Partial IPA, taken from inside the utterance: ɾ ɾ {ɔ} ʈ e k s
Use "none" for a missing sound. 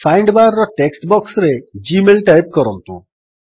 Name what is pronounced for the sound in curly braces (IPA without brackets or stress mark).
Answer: ɔ